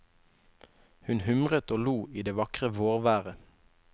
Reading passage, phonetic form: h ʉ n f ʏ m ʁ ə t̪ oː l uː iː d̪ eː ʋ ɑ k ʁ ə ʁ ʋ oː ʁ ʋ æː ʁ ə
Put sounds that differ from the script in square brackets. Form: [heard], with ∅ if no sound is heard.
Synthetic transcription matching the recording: h ʉ n [h] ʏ m ʁ ə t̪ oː l uː iː d̪ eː ʋ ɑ k ʁ ə [∅] ʋ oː ʁ ʋ æː ʁ ə